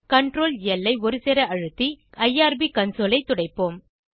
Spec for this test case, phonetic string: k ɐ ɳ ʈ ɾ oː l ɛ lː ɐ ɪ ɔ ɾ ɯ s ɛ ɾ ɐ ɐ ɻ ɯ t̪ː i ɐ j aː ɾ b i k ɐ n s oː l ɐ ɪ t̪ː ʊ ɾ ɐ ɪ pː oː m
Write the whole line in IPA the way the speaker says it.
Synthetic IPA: k ɐ ɳ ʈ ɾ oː l ɛ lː ɐ ɪ ɔ ɾ ɯ s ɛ ɾ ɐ ɐ ɻ ɯ t̪ː i ɐ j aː ɾ b i k ɐ n s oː l ɐ ɪ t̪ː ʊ ɽ ɐ ɪ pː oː m